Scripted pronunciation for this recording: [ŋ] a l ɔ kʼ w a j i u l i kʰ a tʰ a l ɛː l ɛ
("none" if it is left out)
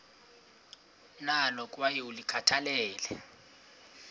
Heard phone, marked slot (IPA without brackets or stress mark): n